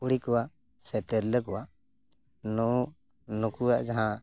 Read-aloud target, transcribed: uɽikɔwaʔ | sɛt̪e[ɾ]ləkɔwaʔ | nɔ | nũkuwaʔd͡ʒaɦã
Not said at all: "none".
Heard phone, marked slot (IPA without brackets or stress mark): ɾ